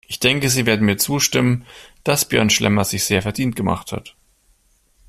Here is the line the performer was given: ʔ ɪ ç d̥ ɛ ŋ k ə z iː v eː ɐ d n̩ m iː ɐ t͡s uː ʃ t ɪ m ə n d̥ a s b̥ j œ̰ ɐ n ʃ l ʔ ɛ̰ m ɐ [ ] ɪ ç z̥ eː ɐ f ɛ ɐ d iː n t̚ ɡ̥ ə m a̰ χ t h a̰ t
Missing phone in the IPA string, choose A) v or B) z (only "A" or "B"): B